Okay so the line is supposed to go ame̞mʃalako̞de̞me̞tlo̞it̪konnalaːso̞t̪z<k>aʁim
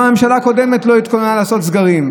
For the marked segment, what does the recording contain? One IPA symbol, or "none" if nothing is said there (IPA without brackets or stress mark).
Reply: ɡ